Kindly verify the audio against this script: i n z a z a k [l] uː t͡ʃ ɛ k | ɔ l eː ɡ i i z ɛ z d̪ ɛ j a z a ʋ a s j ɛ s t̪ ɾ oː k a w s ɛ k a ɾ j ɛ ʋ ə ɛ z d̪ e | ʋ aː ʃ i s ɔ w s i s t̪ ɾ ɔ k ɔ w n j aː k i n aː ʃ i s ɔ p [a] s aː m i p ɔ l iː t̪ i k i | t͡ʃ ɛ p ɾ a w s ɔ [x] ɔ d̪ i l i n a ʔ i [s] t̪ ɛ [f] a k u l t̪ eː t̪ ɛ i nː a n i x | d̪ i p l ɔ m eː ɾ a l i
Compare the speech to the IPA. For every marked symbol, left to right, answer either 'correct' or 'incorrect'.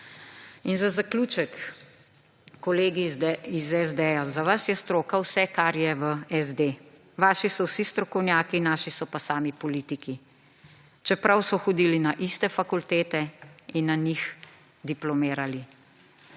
correct, correct, correct, correct, correct

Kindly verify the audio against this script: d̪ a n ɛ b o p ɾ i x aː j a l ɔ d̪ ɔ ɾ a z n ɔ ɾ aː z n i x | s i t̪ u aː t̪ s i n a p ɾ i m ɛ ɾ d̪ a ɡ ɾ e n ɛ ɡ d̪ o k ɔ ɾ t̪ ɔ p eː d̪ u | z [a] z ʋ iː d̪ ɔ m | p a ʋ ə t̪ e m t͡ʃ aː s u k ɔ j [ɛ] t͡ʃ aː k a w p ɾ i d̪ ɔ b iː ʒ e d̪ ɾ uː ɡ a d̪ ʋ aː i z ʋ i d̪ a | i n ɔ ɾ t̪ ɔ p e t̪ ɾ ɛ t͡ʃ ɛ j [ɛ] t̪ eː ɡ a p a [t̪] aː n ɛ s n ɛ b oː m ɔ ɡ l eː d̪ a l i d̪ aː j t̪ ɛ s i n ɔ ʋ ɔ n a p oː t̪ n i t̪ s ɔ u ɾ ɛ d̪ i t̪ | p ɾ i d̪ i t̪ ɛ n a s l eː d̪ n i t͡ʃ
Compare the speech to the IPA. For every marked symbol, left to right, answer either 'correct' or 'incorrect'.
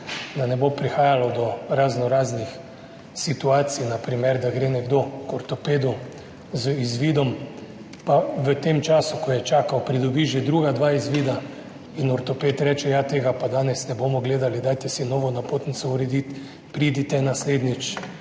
incorrect, correct, incorrect, incorrect

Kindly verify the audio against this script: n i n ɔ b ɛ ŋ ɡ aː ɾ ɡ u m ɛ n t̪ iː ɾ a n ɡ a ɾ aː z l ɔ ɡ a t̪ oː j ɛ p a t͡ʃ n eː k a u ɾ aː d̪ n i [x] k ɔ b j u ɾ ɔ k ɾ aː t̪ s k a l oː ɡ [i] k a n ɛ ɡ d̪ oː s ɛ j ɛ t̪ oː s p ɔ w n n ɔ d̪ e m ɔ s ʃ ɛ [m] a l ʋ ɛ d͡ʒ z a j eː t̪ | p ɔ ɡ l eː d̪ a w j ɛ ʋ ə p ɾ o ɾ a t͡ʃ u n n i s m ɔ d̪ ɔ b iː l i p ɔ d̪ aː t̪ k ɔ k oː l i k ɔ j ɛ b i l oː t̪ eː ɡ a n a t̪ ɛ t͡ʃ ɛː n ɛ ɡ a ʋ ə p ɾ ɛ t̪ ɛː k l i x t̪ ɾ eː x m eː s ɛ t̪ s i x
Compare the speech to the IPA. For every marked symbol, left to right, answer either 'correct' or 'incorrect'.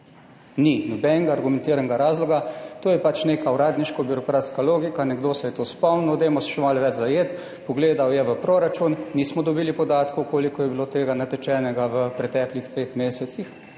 incorrect, correct, correct

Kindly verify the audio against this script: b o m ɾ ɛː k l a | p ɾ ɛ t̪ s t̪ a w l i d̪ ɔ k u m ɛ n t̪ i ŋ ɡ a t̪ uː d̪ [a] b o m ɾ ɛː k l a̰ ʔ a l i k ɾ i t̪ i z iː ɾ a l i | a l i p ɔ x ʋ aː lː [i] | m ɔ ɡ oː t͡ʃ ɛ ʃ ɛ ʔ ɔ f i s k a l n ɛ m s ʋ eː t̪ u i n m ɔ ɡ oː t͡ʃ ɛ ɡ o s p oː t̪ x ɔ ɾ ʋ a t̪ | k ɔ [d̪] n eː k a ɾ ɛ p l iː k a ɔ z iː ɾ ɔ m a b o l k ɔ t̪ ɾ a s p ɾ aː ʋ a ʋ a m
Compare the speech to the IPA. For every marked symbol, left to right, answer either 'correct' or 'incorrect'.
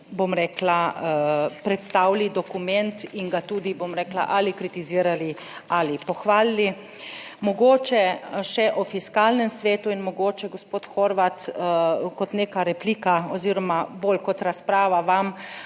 incorrect, correct, incorrect

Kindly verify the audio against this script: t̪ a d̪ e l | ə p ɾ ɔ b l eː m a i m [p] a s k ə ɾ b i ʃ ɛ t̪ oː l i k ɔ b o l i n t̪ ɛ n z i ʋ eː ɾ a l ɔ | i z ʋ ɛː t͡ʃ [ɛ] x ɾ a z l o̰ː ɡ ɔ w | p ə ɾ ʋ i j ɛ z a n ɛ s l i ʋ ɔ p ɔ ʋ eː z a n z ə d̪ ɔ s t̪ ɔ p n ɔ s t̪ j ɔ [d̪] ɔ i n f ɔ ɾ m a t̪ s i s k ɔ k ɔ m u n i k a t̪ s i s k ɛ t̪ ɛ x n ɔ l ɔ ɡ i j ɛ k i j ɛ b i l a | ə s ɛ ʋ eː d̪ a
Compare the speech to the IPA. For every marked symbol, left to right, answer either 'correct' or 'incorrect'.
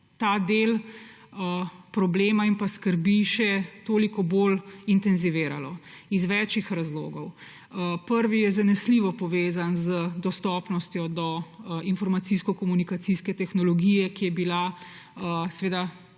correct, incorrect, correct

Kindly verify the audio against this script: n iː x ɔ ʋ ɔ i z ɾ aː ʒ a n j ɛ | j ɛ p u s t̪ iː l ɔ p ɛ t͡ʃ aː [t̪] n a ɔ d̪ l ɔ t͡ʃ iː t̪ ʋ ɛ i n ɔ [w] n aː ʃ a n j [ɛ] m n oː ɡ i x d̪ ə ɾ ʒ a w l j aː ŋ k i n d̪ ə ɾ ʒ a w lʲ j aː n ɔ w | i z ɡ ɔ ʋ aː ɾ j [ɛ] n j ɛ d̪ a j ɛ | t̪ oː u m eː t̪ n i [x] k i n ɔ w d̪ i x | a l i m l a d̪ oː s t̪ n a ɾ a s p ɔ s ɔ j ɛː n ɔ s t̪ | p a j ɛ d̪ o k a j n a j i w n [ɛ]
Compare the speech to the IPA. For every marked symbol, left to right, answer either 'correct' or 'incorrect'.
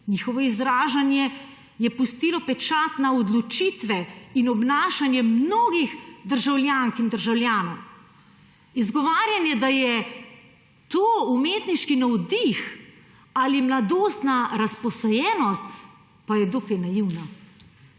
correct, incorrect, correct, incorrect, incorrect, incorrect

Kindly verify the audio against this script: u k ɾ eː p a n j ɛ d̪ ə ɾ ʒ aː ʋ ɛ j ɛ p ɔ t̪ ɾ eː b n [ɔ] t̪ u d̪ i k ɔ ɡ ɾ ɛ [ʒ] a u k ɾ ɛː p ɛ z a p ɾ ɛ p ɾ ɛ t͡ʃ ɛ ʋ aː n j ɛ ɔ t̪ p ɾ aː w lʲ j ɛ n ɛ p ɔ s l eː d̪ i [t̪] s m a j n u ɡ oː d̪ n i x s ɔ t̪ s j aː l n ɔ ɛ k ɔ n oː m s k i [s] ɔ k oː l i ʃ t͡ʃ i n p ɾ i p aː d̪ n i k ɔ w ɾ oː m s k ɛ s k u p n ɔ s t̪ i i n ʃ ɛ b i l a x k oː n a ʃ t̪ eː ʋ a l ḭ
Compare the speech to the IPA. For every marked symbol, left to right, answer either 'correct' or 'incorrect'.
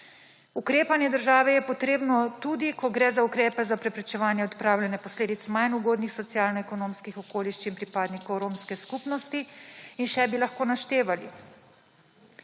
correct, incorrect, correct, incorrect

